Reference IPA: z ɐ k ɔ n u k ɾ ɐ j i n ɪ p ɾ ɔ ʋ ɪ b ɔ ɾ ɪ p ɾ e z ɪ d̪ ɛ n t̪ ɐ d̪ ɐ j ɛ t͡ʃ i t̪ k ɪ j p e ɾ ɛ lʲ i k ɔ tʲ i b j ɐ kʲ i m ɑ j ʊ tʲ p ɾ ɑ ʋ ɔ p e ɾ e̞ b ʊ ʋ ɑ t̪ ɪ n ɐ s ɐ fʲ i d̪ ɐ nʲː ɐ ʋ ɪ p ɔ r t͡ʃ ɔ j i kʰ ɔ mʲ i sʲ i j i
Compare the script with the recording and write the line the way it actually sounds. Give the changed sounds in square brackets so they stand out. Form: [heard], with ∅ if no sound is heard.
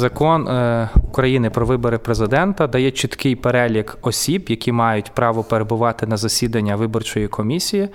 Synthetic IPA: z ɐ k ɔ n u k ɾ ɐ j i n ɪ p ɾ ɔ ʋ ɪ b ɔ ɾ ɪ p ɾ e z ɪ d̪ ɛ n t̪ ɐ d̪ ɐ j ɛ t͡ʃ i t̪ k ɪ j p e ɾ ɛ lʲ i k ɔ [sʲ] i b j ɐ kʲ i m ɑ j ʊ tʲ p ɾ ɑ ʋ ɔ p e ɾ e̞ b ʊ ʋ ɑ t̪ ɪ n ɐ [z] ɐ [sʲ] i d̪ ɐ nʲː ɐ ʋ ɪ [b] ɔ r t͡ʃ ɔ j i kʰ ɔ mʲ i sʲ i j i